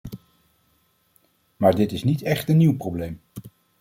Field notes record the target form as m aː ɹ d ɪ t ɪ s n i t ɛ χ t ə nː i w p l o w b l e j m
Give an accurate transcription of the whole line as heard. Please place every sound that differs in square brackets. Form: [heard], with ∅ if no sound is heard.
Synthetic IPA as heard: m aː ɹ d ɪ t ɪ s n i t ɛ χ t ə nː i w p [r] o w b l e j m